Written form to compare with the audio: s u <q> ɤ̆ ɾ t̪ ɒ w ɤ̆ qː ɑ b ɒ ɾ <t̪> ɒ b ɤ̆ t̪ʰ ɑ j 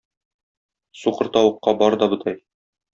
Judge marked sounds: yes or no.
yes, no

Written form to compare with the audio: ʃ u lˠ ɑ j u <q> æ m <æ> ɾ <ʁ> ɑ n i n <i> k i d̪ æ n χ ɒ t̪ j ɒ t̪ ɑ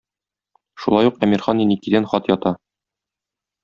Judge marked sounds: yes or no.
yes, no, no, yes

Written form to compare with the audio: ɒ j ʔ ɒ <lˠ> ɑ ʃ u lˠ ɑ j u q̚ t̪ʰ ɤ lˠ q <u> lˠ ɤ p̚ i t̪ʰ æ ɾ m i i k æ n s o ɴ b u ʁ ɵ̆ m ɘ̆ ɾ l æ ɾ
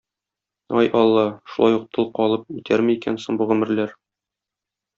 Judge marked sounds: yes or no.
no, no

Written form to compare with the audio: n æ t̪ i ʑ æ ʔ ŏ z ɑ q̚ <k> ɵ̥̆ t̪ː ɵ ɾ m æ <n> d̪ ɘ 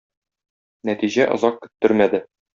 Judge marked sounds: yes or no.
yes, no

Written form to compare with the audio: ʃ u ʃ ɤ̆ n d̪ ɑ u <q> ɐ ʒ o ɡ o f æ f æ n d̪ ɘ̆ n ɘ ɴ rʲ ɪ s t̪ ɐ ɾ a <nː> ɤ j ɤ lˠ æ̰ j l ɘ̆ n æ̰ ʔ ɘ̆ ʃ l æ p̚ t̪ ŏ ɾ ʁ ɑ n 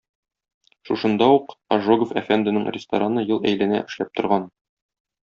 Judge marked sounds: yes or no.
yes, no

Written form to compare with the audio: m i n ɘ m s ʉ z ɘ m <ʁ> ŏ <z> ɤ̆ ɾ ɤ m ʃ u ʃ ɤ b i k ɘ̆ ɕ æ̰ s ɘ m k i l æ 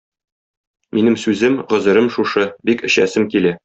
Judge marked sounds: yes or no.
yes, yes

